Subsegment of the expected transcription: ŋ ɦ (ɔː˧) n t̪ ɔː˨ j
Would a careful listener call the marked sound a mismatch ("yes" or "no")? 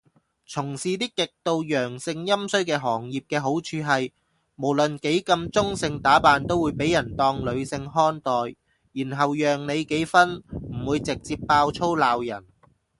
yes